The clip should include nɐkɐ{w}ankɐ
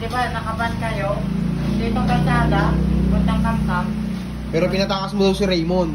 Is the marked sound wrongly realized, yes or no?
yes